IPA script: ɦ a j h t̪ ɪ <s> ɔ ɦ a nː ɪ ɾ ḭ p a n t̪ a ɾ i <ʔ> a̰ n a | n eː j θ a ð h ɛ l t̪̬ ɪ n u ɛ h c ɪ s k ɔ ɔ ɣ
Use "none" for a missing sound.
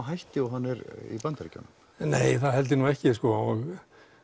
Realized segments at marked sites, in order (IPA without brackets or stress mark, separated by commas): none, c